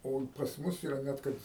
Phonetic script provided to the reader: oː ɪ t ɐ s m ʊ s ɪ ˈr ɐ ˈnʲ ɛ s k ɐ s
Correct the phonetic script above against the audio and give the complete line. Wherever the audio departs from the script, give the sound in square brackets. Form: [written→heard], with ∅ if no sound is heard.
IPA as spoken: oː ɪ [t→p] ɐ s m ʊ s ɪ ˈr ɐ ˈnʲ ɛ [s→t] k ɐ [s→t]